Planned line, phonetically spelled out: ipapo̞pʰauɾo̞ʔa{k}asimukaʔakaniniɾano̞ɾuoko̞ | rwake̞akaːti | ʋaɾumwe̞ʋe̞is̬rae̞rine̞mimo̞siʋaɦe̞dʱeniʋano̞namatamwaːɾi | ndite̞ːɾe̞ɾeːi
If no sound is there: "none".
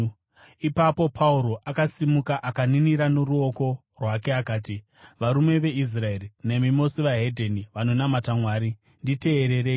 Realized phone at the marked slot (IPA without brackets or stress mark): k